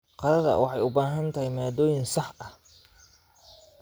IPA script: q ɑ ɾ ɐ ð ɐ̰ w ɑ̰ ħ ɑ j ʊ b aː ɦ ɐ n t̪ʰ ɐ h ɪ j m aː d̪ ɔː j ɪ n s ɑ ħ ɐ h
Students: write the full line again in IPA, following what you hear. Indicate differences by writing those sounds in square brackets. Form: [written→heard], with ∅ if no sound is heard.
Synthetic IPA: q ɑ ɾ ɐ ð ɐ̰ w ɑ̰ ħ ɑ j ʊ b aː ɦ ɐ n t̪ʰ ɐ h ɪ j m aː d̪ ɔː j ɪ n s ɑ ħ ɐ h